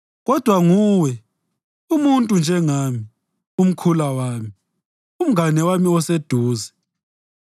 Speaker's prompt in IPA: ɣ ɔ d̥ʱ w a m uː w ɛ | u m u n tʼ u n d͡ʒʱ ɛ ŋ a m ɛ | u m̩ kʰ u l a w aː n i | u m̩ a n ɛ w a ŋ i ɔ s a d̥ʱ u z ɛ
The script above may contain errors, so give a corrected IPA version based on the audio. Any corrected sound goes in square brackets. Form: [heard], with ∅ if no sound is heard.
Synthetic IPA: ɣ ɔ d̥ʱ w a [ŋ] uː w ɛ | u m u n tʼ u n d͡ʒʱ ɛ ŋ a m [i] | u m̩ kʰ u l a w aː [m] i | u m̩ a n ɛ w a [m] i ɔ s [e] d̥ʱ [uː] z ɛ